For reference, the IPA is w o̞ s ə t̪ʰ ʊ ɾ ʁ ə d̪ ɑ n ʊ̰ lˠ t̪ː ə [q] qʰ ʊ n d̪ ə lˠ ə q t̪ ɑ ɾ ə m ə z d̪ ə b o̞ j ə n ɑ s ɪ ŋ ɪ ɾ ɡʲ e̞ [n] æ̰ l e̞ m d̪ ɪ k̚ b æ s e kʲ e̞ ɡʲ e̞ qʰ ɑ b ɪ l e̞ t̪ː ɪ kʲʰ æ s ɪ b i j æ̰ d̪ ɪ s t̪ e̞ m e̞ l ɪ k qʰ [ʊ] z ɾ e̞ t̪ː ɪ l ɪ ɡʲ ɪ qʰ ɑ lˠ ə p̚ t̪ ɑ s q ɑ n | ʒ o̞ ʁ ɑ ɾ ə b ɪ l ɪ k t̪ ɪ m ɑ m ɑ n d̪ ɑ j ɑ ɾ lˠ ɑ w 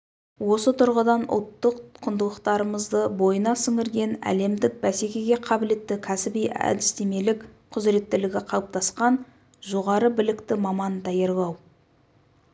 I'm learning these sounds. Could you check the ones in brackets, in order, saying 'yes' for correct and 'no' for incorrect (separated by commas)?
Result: yes, yes, yes